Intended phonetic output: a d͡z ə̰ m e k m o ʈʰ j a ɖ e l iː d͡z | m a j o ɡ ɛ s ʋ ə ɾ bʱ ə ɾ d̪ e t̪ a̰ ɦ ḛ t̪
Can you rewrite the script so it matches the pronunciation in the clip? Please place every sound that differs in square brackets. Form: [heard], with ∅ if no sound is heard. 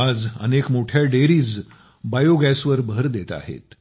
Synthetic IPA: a d͡z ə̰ [n] e k m o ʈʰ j a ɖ e [ɾ] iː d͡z | [b] a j o ɡ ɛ s ʋ ə ɾ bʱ ə ɾ d̪ e t̪ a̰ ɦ ḛ t̪

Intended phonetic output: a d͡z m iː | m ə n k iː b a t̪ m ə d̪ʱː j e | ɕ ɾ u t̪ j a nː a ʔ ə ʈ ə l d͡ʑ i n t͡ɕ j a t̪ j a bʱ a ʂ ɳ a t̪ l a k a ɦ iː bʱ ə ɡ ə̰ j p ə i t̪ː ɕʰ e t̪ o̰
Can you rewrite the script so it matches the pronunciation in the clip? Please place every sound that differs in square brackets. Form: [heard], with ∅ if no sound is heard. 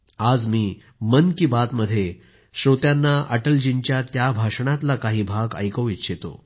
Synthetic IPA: a d͡z m iː | m ə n k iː b a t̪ m ə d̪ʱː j e | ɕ ɾ [o] t̪ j a nː a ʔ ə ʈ ə l d͡ʑ i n t͡ɕ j a t̪ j a bʱ a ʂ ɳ a t̪ l a k a ɦ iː bʱ [a] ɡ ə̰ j [k] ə i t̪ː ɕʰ e t̪ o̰

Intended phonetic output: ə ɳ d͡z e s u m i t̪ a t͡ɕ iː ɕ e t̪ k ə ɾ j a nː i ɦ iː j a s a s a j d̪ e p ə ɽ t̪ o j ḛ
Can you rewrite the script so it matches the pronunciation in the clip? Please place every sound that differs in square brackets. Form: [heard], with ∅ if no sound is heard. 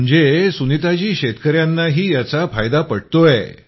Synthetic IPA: ə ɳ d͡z e s u [n] i t̪ a t͡ɕ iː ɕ e t̪ k ə ɾ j a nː [a] ɦ iː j a [t͡s] a [f] a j d̪ [a] p ə ɽ t̪ o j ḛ

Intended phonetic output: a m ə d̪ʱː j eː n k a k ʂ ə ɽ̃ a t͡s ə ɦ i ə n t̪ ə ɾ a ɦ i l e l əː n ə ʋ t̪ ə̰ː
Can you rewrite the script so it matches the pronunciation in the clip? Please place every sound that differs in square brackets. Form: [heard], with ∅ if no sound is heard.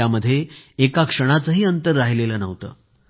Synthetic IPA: a m ə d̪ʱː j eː [∅] k a k ʂ ə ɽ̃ a t͡s ə ɦ [iː] ə n t̪ ə [ɾː] a ɦ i l e l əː n ə ʋ t̪ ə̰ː

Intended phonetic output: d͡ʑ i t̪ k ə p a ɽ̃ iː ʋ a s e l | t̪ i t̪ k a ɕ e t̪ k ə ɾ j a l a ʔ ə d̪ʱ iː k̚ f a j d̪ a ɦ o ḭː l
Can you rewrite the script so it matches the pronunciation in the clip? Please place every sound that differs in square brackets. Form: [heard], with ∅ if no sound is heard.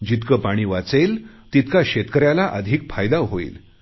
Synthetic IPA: d͡ʑ i t̪ k ə p a ɽ̃ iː ʋ a [t͡s] e l | t̪ i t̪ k a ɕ e t̪ k ə ɾ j a l a ʔ ə d̪ʱ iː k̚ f a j d̪ a ɦ o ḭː l

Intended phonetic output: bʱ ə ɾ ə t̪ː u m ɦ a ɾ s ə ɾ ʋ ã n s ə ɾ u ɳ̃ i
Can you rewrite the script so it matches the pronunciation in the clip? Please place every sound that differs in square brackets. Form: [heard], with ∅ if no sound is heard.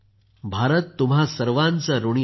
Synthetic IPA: bʱ [a] ɾ ə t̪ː u m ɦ a [∅] s ə ɾ ʋ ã n [t͡s] ə ɾ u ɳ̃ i

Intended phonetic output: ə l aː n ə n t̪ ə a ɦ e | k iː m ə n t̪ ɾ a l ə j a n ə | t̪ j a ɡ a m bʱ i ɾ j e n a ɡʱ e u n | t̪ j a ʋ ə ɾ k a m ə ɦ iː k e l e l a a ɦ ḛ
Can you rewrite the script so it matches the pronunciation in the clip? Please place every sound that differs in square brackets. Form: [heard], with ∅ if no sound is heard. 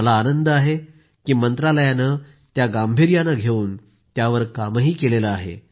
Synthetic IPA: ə l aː n ə n [d̪] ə a ɦ e | k iː m ə n t̪ ɾ a l ə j a n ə | t̪ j a ɡ a m bʱ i ɾ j [a] n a ɡʱ e [uː] n | t̪ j a ʋ ə ɾ k a m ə ɦ iː k e l e l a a ɦ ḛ

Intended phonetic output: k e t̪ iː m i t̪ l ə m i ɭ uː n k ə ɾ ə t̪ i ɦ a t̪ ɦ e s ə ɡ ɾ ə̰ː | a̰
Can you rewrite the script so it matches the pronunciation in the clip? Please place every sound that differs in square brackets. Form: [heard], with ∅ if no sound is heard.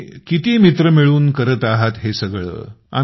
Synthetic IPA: k [i] t̪ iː m i t̪ [ɾ] ə m i ɭ uː n k ə ɾ ə t̪ [a] ɦ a t̪ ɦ e s ə ɡ [ɭ] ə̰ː | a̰

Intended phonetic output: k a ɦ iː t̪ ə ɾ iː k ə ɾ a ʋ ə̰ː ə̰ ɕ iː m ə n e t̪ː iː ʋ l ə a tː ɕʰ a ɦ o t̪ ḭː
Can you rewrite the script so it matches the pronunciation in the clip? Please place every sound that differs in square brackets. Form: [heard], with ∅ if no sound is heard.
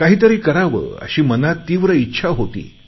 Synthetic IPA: k a ɦ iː t̪ ə ɾ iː k ə ɾ a ʋ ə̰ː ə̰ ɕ iː m ə n [a] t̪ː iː ʋ [ɾ] ə [i] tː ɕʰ a ɦ o t̪ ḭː

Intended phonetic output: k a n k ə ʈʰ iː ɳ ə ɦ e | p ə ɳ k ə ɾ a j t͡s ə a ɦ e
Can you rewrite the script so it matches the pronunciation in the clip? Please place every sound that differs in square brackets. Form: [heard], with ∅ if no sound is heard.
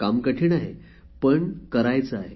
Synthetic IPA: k a [m] k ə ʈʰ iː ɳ [a] ɦ e | p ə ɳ k ə ɾ a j t͡s ə a ɦ e

